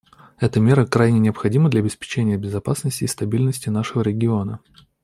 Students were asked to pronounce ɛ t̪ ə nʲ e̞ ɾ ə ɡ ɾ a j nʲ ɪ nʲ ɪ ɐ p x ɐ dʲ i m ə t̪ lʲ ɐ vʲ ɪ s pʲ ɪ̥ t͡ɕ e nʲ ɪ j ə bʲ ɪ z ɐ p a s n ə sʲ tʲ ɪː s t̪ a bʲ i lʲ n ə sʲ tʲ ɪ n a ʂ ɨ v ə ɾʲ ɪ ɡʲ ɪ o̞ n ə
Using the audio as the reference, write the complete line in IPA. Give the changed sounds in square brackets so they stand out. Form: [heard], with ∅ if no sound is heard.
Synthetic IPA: ɛ t̪ ə [mʲ] e̞ ɾ ə [k] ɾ a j nʲ ɪ nʲ ɪ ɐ p x ɐ dʲ i m ə [d̪] lʲ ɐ [bʲ] ɪ s pʲ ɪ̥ t͡ɕ e nʲ ɪ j ə bʲ ɪ z ɐ p a s n ə sʲ tʲ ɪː s t̪ [ɐ] bʲ i lʲ n ə sʲ tʲ ɪ n a ʂ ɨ v ə ɾʲ ɪ ɡʲ ɪ o̞ n ə